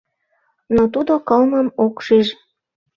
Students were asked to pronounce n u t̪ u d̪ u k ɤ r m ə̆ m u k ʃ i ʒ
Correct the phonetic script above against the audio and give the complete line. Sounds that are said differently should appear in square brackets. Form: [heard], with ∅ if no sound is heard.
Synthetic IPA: n [o] t̪ u d̪ [o] k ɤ [l] m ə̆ m [o] k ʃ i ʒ